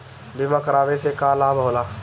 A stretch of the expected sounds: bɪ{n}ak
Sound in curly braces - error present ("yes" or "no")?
yes